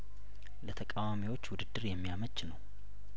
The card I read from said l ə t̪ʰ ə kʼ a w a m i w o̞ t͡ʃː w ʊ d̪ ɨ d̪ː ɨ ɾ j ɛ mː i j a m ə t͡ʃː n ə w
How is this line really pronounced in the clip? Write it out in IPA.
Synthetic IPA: l ə t̪ʰ ə kʼ a w a m i w o̞ t͡ʃː w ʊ d̪ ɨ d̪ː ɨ ɾ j ɛ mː i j a m ə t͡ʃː n ə w